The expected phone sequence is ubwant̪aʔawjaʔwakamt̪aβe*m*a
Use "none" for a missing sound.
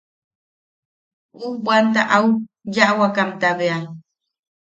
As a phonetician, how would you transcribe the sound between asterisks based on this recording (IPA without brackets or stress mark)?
none